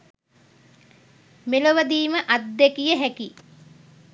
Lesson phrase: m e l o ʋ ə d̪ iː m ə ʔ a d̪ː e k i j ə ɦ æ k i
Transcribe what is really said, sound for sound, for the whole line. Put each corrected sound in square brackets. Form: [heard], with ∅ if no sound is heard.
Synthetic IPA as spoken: m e l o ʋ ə d̪ iː m ə ʔ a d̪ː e k i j ə ɦ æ k i

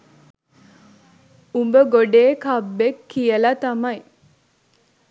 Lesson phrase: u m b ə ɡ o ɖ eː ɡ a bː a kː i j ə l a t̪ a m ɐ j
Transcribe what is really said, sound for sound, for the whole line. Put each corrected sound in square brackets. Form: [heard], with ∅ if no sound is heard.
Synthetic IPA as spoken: u m b ə ɡ o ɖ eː [k] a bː [e] kː i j ə l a t̪ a m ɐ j

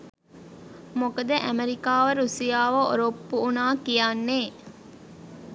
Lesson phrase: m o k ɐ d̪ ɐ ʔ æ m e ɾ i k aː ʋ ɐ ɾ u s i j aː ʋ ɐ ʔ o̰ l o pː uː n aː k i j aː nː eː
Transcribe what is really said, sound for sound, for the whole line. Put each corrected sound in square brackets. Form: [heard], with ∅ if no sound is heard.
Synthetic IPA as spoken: m o k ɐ d̪ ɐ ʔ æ m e ɾ i k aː ʋ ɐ ɾ u s i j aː ʋ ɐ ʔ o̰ [ɾ] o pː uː n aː k i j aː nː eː

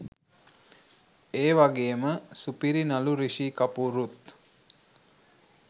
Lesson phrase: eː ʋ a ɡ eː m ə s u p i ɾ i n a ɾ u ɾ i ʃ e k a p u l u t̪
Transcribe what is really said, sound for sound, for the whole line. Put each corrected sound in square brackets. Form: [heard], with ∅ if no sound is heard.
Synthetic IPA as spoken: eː ʋ a ɡ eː m ə s u p i ɾ i n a [l] u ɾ i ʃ [i] k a p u [ɾ] u t̪

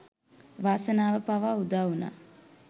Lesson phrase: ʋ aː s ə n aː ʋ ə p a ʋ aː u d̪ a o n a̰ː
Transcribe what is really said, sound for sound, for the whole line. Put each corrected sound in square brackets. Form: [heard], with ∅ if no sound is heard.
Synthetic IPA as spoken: ʋ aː s ə n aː ʋ ə p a ʋ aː u d̪ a [u] n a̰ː

